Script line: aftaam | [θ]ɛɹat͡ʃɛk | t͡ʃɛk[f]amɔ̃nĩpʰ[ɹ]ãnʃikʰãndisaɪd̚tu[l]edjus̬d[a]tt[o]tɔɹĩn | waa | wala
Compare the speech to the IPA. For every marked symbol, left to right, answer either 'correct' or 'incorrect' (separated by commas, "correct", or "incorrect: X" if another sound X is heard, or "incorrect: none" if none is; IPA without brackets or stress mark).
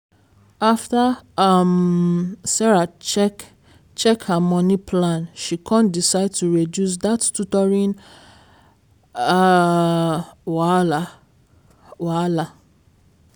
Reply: incorrect: s, incorrect: h, incorrect: l, incorrect: ɹ, correct, incorrect: u